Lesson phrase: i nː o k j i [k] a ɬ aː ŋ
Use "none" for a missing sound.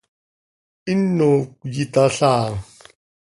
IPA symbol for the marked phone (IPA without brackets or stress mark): t